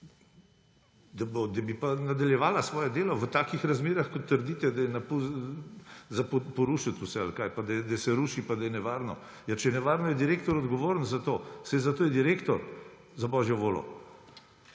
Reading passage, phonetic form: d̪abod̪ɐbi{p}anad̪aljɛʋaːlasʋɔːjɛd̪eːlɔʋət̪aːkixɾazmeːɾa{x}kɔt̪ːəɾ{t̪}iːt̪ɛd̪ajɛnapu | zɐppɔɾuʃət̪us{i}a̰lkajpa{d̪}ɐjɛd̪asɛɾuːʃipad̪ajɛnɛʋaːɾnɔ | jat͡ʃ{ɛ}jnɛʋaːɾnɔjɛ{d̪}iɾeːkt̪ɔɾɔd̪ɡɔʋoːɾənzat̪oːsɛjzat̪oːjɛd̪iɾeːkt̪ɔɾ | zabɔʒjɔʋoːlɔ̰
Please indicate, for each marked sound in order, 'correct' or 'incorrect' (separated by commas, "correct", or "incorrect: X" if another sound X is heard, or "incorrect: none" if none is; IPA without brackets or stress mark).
correct, correct, incorrect: d̪, incorrect: ɛ, correct, correct, correct